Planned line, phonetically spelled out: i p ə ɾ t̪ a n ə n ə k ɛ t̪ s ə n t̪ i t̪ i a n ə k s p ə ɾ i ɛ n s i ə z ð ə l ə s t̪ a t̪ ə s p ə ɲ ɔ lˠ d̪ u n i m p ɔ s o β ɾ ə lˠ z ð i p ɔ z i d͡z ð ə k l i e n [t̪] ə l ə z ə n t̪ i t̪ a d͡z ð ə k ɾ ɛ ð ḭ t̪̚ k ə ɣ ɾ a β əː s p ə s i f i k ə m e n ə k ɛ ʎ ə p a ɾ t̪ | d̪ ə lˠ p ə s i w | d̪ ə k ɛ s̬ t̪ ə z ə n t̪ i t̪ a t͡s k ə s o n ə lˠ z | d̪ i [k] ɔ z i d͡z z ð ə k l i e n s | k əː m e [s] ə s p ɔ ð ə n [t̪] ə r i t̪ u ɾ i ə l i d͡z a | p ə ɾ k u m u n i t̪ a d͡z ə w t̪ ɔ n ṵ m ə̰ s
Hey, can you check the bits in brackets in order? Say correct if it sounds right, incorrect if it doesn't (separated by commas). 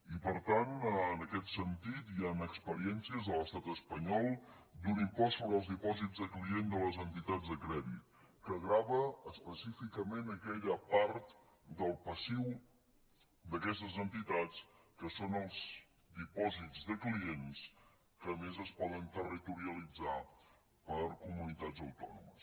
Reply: incorrect, incorrect, incorrect, correct